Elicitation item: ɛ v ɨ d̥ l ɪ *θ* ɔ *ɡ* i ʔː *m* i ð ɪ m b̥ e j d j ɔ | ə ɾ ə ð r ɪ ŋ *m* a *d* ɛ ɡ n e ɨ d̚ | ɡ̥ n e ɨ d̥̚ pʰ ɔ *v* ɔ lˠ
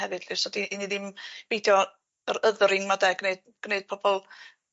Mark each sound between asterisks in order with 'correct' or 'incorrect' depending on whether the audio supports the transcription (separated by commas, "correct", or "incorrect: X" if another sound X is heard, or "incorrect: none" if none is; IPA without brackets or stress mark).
incorrect: s, incorrect: d, incorrect: n, correct, correct, incorrect: b